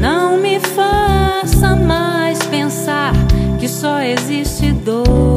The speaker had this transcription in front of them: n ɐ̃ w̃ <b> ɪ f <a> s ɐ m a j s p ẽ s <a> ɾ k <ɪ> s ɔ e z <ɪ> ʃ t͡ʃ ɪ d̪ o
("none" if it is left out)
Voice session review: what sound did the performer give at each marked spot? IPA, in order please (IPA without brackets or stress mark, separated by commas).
m, a, a, ɪ, i